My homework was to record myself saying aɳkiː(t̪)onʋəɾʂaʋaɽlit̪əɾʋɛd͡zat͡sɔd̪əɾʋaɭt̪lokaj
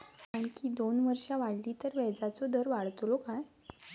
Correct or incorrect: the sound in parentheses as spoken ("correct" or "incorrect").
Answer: incorrect